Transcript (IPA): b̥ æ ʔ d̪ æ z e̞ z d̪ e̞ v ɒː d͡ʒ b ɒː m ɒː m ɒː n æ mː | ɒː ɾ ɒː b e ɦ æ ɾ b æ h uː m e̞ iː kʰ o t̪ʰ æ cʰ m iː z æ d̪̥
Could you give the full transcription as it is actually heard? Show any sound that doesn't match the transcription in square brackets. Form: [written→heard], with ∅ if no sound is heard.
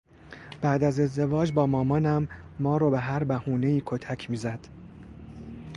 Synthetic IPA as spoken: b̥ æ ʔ d̪ æ z e̞ z d̪ e̞ v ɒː d͡ʒ b ɒː m ɒː m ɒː n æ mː | ɒː ɾ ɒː b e ɦ æ ɾ b æ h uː [m→n] e̞ iː kʰ o t̪ʰ æ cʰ m iː z æ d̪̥